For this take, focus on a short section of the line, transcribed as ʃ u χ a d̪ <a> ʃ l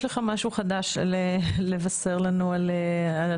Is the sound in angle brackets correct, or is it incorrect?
correct